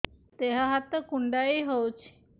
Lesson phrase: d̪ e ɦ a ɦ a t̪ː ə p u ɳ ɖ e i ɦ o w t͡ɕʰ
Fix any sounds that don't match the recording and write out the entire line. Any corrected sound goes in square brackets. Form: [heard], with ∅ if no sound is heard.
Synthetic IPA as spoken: [t̪] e ɦ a ɦ a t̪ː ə [k] u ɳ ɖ [a] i ɦ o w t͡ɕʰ